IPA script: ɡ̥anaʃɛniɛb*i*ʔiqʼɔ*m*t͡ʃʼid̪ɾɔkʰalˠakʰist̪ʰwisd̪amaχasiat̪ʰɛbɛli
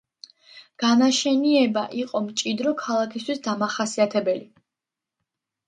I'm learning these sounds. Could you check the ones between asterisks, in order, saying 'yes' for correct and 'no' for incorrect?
no, yes

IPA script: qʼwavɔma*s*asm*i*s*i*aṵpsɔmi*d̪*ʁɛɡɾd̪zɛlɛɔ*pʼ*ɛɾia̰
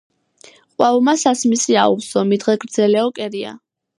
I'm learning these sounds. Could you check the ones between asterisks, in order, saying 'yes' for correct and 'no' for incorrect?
yes, yes, yes, yes, no

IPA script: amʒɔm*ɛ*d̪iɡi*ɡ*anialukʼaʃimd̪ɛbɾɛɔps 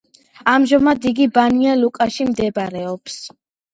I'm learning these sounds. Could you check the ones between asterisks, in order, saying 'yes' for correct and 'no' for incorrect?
no, no

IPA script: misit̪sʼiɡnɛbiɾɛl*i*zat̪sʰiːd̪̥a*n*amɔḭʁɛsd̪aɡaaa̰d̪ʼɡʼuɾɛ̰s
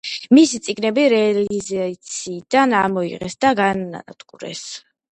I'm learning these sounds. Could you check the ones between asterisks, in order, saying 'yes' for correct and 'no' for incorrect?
yes, yes

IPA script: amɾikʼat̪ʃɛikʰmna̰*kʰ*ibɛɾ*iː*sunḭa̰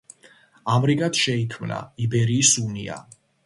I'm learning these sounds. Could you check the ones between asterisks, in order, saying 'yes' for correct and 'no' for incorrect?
no, yes

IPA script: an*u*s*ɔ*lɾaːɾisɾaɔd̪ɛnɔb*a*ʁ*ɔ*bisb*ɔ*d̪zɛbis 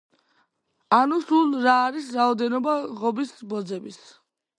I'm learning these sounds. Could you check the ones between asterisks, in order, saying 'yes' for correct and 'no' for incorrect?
yes, no, yes, yes, yes

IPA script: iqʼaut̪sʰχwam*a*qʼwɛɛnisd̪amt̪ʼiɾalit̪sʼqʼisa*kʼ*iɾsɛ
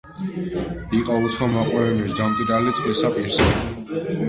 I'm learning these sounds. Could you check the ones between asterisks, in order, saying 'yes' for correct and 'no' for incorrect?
yes, no

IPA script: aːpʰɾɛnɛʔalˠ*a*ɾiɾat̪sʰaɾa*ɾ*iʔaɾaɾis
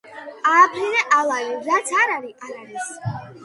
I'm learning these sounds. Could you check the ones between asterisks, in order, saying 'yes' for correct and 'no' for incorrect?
yes, yes

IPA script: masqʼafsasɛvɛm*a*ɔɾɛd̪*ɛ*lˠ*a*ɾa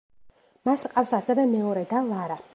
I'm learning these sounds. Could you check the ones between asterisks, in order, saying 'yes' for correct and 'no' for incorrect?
no, no, yes

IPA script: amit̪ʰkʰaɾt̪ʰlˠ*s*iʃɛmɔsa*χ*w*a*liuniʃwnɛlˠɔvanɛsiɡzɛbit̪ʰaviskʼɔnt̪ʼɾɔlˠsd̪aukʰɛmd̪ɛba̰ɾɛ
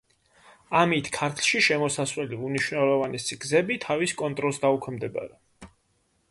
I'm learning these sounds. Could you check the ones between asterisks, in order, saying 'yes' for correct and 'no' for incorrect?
no, no, no

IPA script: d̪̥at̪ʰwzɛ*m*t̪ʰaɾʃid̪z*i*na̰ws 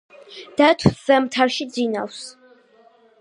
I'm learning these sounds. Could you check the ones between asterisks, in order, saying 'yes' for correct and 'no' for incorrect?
yes, yes

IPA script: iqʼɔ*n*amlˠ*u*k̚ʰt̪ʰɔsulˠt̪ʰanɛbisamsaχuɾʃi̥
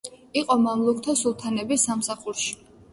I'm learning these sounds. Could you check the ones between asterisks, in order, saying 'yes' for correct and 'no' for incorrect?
no, yes

